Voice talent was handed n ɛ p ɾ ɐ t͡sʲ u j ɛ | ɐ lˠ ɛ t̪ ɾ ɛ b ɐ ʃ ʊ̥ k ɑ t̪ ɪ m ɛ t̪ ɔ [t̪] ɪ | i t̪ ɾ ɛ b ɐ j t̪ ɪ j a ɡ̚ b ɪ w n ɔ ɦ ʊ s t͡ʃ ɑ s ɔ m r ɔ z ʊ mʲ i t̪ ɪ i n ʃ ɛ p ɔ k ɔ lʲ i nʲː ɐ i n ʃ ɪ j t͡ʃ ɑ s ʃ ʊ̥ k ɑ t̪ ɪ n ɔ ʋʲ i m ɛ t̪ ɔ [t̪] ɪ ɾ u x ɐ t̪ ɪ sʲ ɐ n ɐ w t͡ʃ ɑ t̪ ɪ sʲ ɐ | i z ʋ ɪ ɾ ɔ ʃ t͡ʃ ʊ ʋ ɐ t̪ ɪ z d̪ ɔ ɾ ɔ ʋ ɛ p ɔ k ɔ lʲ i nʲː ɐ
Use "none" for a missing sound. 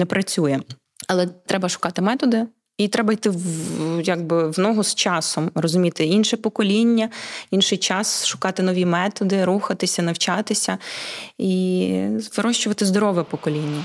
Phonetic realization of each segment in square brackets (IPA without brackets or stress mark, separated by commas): d̪, d̪